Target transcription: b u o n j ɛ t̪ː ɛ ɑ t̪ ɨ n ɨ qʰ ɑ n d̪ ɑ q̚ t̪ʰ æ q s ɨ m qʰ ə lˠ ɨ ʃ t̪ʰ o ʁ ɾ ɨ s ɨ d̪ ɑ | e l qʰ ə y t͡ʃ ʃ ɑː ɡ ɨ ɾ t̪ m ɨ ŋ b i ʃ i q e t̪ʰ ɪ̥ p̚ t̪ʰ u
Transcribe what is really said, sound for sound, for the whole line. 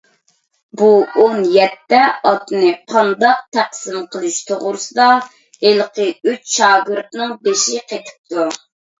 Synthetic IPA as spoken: b u o n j ɛ t̪ː ɛ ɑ t̪ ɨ n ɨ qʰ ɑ n d̪ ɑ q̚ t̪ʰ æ q s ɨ m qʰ ə lˠ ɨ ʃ t̪ʰ o ʁ ɾ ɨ s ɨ d̪ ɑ | e l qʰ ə y t͡ʃ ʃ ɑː ɡ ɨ ɾ t̪ n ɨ ŋ b e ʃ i q e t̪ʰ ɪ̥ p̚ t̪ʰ u

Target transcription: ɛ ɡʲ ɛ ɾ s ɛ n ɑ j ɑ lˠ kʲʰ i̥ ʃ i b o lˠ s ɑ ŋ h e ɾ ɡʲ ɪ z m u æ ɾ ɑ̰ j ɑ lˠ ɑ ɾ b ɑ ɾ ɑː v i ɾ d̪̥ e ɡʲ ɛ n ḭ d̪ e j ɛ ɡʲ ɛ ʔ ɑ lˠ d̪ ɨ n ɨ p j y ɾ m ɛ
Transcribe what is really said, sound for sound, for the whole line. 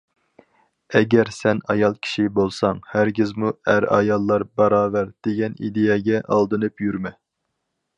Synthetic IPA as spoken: ɛ ɡʲ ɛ ɾ s ɛ n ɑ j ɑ lˠ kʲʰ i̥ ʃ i b o lˠ s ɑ ŋ h æ ɾ ɡʲ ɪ z m u æ ɾ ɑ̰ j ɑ lˠː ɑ ɾ b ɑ ɾ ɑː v æ ɾ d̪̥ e ɡʲ ɛ n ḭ d̪ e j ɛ ɡʲ ɛ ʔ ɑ lˠ d̪ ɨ n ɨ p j y ɾ m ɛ

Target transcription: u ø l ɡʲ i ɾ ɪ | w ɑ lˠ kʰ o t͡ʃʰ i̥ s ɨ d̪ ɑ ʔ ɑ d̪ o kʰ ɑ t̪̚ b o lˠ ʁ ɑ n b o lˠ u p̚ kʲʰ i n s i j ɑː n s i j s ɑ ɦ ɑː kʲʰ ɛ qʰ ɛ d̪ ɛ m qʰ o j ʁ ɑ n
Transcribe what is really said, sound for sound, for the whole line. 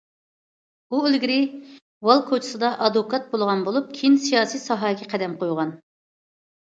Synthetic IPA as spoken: u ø l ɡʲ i ɾ ɪ | w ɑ lˠ kʰ o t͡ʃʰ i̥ s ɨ d̪ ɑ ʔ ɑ d̪ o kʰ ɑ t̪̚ b o lˠ ʁ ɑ n b o lˠ u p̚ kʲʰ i n s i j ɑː s i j s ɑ ɦ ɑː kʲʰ ɛ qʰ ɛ d̪ ɛ m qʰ o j ʁ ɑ n

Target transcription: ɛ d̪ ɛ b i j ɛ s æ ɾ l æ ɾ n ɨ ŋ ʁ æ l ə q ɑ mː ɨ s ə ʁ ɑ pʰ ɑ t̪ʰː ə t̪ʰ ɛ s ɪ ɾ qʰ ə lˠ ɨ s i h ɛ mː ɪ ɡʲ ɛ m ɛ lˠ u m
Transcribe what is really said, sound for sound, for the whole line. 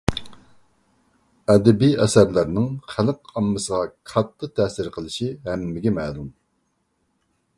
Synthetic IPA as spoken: ɛ d̪ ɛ b i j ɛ s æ ɾ l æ ɾ n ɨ ŋ χ æ l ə q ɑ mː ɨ s ə ʁ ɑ kʰ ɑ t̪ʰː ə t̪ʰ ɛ s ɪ ɾ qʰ ə lˠ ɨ ʃ i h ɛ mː ɪ ɡʲ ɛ m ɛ lˠ u m

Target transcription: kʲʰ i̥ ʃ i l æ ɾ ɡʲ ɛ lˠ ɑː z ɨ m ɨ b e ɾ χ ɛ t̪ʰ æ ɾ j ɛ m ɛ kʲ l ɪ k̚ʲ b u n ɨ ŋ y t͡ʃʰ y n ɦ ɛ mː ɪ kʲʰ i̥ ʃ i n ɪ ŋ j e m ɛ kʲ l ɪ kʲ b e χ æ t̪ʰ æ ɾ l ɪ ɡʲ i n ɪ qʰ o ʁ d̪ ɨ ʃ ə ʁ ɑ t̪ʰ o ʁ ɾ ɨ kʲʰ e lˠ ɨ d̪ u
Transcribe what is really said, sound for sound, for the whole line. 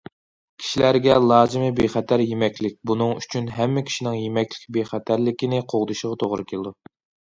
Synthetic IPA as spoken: kʲʰ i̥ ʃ i l æ ɾ ɡʲ ɛ lˠ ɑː z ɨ m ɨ b e χ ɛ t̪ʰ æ ɾ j e m ɛ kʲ l ɪ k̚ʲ b u n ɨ ŋ y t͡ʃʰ y n ɦ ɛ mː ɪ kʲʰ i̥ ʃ i n ɪ ŋ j e m ɛ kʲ l ɪ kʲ b e χ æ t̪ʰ æ ɾ l ɪ kʲ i n ɪ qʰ o ʁ d̪ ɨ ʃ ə ʁ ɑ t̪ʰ o ʁ ɾ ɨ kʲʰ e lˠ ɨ d̪ u

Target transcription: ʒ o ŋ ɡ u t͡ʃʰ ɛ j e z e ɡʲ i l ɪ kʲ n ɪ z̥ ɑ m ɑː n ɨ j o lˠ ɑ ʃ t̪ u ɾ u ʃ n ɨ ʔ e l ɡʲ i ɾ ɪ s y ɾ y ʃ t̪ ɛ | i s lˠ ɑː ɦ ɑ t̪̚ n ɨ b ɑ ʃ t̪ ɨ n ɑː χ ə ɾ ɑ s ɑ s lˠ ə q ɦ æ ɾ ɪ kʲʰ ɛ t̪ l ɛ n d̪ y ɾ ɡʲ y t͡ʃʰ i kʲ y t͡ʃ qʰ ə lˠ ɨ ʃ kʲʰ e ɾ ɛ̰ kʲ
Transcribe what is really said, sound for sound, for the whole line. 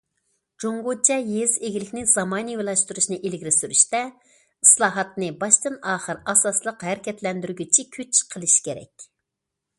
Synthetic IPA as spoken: d͡ʒ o ŋ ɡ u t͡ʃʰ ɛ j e z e ɡʲ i l ɪ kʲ n ɪ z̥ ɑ m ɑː n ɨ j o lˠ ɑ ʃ t̪ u ɾ u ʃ n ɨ ʔ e l ɡʲ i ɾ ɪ s y ɾ y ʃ t̪ ɛ | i s lˠ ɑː ɦ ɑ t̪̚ n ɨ b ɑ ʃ t̪ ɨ n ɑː χ ə ɾ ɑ s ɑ s lˠ ə q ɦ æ ɾ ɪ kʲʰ ɛ t̪ l ɛ n d̪ y ɾ ɡʲ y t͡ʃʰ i kʲʰ y t͡ʃ qʰ ə lˠ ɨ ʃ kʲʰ e ɾ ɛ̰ kʲ

